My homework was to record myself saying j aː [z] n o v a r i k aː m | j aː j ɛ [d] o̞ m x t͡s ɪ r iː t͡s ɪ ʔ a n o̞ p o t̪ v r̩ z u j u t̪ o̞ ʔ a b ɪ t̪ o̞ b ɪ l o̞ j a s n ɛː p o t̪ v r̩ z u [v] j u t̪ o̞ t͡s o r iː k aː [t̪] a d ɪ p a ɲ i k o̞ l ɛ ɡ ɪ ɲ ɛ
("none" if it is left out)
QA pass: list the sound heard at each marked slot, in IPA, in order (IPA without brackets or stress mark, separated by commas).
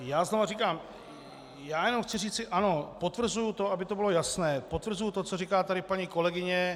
z, n, none, t̪